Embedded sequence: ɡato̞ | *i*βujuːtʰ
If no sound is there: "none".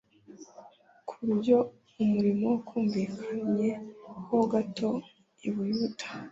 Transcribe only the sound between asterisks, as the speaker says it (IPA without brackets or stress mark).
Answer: i